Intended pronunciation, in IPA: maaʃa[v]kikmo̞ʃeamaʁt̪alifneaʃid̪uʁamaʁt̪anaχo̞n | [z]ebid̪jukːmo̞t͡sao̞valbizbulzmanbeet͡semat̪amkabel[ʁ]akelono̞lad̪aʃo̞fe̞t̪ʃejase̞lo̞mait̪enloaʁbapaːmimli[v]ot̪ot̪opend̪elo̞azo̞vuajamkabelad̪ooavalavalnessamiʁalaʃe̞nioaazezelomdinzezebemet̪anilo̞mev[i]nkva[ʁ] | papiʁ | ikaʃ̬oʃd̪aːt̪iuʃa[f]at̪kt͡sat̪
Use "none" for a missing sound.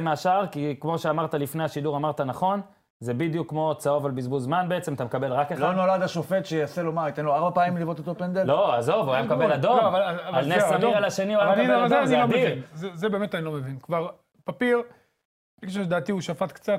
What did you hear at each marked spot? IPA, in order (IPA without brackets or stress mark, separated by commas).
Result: ʁ, z, ʁ, v, i, ʁ, f